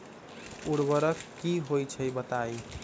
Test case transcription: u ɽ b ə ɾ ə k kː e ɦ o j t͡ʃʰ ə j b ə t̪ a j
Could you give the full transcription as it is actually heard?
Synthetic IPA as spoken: u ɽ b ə ɾ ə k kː i ɦ o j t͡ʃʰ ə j b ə t̪ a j